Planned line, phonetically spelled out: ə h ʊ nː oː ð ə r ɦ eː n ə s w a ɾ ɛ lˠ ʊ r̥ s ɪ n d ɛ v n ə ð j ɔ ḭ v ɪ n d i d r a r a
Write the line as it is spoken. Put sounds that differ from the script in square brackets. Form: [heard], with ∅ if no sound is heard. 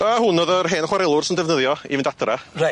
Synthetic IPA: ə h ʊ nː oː ð ə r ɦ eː n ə [χ] w a ɾ ɛ lˠ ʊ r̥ s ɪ n d ɛ v n ə ð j ɔ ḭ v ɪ n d [a] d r a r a